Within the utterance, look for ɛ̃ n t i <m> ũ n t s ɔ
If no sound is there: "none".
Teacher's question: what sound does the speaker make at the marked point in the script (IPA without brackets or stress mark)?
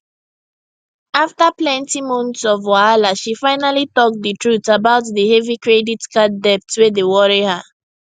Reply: m